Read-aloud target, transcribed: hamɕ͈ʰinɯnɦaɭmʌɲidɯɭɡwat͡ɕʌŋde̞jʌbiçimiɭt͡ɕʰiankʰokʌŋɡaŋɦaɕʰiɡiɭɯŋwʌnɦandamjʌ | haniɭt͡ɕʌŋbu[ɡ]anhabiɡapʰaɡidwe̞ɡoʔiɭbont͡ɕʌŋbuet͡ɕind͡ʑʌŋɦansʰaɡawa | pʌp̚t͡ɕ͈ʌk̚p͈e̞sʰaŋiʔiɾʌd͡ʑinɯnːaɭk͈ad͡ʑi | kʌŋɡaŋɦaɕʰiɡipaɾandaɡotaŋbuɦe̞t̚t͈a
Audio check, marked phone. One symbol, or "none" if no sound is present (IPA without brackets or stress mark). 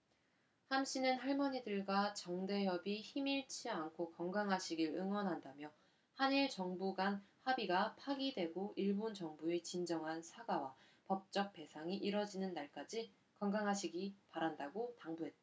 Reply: ɡ